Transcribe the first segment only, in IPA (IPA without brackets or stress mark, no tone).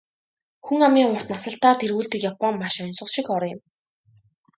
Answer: x